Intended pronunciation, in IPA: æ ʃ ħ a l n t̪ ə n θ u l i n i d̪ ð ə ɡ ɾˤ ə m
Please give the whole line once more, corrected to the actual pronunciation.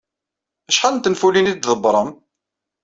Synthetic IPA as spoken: æ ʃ ħ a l n t̪ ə n f u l i n i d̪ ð ə b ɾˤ ə m